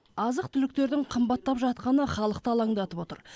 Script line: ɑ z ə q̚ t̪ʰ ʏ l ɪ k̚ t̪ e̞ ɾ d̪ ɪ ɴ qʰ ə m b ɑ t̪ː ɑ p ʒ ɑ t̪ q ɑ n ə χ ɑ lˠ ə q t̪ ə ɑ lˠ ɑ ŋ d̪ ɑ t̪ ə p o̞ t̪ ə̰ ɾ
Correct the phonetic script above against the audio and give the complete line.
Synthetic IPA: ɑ z ə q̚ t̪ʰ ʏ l ɪ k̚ t̪ e̞ ɾ d̪ ɪ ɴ qʰ ə m b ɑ t̪ː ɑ p ʒ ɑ t̪ q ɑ n ə χ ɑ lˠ ə q t̪ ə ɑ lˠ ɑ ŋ d̪ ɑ t̪ ə p o̞ t̪ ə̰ ɾ